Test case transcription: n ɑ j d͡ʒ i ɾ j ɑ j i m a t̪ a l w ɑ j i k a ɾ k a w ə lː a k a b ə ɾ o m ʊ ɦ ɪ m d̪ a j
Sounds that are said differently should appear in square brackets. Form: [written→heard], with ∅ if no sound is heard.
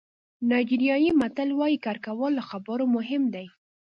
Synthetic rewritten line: n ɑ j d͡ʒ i ɾ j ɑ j i m a t̪ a l w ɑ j i k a ɾ k a w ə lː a [k→x] a b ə ɾ o m ʊ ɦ ɪ m d̪ a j